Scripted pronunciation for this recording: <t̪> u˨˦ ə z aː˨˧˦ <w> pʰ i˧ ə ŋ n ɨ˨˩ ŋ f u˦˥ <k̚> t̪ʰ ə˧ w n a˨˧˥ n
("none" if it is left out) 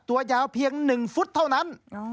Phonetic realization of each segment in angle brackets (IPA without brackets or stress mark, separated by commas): t̪, w, t̚